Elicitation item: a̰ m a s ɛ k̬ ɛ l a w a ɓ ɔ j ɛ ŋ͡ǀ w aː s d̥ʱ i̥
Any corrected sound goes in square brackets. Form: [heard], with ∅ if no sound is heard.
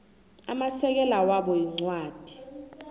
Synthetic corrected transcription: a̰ m a s ɛ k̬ ɛ l a w a ɓ ɔ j [i] ŋ͡ǀ w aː [∅] d̥ʱ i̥